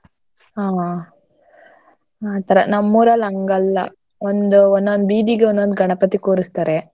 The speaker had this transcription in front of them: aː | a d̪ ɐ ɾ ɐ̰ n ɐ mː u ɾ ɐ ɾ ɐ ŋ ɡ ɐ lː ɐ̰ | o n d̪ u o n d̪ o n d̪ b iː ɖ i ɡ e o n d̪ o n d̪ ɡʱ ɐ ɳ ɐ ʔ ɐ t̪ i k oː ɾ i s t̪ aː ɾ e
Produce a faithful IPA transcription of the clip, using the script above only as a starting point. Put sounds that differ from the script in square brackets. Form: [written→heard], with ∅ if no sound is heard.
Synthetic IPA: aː | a [d̪→t̪] ɐ ɾ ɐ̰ n ɐ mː u ɾ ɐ [ɾ→l] ɐ ŋ ɡ ɐ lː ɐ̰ | o n d̪ u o n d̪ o n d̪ b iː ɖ i ɡ e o n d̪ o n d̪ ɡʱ ɐ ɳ ɐ [ʔ→p] ɐ t̪ i k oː ɾ i s t̪ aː ɾ e